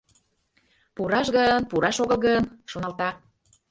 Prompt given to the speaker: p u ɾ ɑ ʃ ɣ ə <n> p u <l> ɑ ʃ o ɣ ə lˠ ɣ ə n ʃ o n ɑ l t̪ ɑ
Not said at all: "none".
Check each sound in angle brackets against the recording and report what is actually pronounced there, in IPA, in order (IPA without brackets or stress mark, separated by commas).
n, ɾ